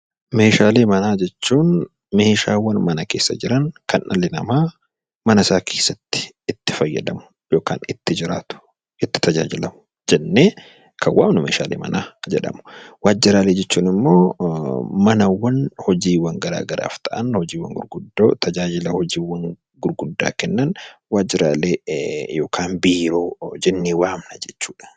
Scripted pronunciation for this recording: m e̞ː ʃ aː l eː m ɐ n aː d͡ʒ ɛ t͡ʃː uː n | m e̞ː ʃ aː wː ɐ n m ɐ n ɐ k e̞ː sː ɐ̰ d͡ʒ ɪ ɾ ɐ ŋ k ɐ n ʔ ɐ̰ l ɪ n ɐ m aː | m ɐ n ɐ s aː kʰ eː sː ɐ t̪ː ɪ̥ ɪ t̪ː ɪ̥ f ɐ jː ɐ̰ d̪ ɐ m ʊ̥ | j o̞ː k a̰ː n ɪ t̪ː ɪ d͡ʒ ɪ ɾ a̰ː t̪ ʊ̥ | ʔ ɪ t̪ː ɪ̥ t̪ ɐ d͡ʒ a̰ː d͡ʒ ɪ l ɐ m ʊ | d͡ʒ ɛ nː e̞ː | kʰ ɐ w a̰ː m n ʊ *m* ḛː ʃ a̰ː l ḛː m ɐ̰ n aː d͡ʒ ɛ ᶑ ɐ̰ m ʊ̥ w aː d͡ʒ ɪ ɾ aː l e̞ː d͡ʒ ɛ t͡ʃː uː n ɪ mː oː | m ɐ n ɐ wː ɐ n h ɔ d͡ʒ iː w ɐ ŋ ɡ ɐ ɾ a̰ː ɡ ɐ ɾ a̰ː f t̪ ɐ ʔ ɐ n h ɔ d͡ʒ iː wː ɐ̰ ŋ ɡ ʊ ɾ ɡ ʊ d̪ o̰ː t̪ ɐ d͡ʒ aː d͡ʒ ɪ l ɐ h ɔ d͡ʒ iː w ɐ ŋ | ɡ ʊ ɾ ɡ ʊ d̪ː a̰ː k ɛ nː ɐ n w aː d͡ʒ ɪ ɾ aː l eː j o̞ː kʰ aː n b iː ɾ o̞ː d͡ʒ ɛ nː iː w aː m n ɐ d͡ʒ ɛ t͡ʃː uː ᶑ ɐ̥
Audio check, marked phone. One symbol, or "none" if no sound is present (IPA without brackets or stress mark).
m